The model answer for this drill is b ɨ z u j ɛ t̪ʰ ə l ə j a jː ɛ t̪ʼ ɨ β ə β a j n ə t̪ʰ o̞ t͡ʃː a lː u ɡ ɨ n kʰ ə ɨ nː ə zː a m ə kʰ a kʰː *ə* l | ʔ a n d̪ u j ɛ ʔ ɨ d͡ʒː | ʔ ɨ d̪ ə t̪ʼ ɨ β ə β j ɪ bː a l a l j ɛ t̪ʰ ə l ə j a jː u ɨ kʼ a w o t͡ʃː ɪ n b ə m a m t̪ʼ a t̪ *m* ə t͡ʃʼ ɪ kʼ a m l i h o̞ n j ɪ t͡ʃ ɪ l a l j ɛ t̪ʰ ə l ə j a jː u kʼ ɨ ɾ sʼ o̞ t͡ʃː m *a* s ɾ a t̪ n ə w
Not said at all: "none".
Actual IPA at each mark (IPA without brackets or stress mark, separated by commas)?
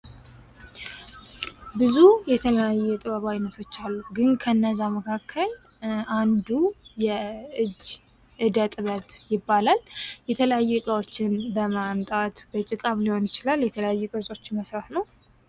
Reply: ə, b, ə